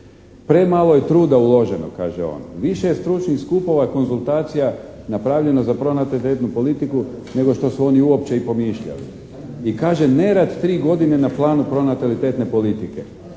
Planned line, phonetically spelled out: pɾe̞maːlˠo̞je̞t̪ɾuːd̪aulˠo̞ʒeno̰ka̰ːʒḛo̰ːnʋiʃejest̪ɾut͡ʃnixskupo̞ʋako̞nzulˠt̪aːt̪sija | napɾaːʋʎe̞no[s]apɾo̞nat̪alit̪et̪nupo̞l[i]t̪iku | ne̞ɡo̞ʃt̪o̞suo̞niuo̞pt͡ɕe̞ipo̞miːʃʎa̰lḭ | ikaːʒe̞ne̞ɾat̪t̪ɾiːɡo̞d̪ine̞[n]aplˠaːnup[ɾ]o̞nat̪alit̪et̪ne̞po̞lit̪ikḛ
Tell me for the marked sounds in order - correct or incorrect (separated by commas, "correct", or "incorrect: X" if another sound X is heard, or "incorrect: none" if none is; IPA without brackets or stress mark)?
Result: incorrect: z, correct, correct, correct